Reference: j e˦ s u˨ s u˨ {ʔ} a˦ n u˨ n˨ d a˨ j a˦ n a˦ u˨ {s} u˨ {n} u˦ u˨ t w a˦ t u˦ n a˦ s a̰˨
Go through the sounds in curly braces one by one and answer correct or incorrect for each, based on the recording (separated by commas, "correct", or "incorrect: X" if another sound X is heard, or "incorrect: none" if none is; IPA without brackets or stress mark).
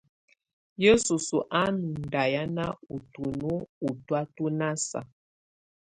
correct, incorrect: t, correct